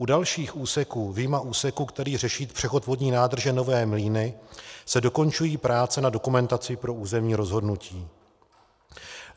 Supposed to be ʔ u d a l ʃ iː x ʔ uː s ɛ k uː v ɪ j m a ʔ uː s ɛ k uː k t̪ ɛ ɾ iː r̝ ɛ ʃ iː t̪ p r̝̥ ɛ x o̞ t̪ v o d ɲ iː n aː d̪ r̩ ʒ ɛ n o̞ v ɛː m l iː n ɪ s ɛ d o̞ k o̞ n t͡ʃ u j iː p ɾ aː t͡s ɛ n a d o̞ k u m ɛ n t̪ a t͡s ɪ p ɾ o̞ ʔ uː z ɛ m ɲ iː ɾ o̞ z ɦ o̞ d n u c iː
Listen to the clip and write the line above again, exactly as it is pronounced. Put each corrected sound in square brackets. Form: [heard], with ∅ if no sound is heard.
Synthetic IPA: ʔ u d a l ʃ iː x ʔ uː s ɛ k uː v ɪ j m a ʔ uː s ɛ k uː k t̪ ɛ ɾ iː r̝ ɛ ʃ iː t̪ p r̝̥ ɛ x o̞ t̪ v o d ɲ iː n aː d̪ r̩ ʒ ɛ n o̞ v ɛː m l iː n ɪ s ɛ d o̞ k o̞ n t͡ʃ u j iː p ɾ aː t͡s ɛ n a d o̞ k u m ɛ n t̪ a t͡s ɪ p ɾ o̞ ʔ uː z ɛ m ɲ iː ɾ o̞ z ɦ o̞ d n u c iː